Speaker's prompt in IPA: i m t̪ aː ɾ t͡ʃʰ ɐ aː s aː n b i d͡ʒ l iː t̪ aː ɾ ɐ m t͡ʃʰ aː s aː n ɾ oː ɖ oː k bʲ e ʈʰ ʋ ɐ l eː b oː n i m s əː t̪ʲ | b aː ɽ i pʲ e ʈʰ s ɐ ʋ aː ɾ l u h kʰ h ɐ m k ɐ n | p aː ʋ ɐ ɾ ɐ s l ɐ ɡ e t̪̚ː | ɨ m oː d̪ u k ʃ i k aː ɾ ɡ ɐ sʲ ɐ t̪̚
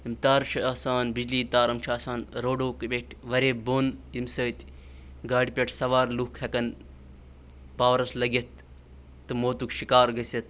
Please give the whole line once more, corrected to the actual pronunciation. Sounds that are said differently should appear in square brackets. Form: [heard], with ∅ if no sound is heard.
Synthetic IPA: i m t̪ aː ɾ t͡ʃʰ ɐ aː s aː n b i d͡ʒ l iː t̪ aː ɾ ɐ m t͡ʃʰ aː s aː n ɾ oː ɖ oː k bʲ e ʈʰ ʋ ɐ [ɾ] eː b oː n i m s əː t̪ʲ | [ɡ] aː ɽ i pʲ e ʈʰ s ɐ ʋ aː ɾ l u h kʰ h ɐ [∅] k ɐ n | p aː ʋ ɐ ɾ ɐ s l ɐ ɡ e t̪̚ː | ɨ m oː [t̪] u k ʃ i k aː ɾ ɡ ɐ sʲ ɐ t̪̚